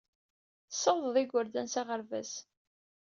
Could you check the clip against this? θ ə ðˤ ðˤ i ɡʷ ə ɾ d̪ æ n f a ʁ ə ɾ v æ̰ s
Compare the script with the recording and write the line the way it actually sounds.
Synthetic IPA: s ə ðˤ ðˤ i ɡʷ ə ɾ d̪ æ n s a ʁ ə ɾ v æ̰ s